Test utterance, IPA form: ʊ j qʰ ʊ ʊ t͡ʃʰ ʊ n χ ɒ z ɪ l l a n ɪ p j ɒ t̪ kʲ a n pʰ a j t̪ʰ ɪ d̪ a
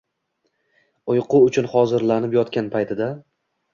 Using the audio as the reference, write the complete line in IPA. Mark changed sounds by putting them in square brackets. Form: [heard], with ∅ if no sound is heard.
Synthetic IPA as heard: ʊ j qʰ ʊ ʊ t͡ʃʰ ʊ n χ ɒ z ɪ [ɾ] l a n ɪ p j ɒ t̪ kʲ a n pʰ a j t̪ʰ ɪ d̪ a